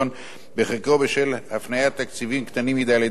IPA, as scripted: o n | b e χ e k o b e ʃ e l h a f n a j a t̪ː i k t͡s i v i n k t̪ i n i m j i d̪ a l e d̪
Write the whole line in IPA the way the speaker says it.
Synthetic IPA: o n | b e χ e k o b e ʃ e l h a f n a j a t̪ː a k t͡s i v i m k t̪ a n i m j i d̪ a l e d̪